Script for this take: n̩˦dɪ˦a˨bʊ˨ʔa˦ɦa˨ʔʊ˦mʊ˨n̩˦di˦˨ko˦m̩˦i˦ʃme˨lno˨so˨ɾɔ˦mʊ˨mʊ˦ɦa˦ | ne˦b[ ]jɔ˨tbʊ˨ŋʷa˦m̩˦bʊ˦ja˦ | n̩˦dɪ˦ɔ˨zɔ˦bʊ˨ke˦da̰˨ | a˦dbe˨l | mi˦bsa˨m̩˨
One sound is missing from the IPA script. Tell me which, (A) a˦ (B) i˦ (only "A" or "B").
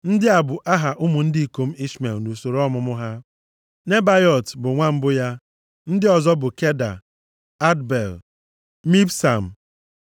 A